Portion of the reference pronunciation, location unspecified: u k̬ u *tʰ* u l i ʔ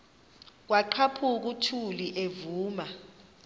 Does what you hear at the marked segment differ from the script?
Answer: no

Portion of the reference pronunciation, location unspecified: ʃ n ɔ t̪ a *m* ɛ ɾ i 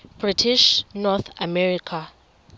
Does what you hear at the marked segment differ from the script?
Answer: no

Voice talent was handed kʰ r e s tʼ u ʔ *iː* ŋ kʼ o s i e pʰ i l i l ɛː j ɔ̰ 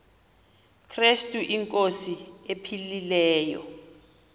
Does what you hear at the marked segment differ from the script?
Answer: yes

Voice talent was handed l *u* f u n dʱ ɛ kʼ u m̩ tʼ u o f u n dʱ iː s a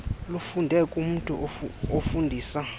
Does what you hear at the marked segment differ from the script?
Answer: no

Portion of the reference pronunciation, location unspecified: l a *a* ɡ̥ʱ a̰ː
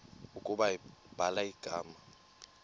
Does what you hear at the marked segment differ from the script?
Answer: yes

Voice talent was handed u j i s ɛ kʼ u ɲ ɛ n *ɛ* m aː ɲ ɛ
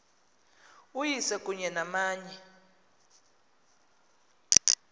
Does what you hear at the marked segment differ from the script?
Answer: yes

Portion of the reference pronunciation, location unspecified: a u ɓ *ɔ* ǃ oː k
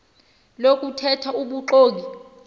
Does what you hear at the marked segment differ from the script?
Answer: yes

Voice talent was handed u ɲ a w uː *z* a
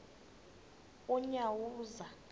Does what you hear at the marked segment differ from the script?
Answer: no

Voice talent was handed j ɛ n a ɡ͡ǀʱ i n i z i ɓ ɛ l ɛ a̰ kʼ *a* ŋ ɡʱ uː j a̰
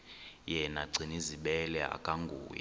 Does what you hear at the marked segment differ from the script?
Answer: no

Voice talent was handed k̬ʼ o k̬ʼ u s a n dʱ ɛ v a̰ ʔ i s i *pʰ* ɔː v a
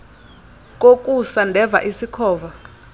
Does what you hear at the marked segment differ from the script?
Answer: yes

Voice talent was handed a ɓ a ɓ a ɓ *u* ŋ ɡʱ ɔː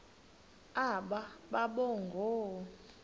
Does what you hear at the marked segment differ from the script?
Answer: yes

